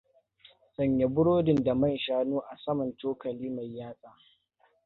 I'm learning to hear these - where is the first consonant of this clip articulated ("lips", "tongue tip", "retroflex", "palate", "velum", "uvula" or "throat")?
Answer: tongue tip